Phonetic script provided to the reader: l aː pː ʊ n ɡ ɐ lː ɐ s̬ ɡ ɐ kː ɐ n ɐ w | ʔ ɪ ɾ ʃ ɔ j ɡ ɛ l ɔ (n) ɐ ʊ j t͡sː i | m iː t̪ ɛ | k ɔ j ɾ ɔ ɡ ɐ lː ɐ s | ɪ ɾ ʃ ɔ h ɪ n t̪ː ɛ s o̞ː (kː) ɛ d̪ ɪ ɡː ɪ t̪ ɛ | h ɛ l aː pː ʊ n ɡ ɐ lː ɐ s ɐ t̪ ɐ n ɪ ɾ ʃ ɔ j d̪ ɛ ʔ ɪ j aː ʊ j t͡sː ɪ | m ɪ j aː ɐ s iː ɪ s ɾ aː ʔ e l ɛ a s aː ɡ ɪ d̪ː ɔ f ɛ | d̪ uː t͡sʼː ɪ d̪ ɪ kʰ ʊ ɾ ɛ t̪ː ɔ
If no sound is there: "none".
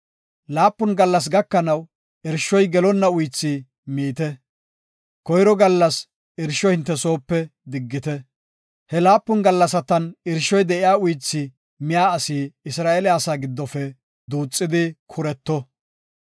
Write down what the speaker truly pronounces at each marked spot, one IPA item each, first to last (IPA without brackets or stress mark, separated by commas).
nː, pː